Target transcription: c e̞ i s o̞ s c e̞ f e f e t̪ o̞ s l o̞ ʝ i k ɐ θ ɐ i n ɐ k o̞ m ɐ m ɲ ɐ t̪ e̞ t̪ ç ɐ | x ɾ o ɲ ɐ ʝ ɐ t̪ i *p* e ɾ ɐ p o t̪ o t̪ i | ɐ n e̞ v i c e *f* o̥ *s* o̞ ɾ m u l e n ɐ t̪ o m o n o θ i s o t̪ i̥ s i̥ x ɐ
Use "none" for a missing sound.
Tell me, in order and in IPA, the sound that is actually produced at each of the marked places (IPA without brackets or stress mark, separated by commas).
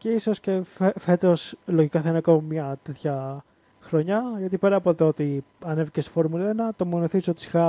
p, s, f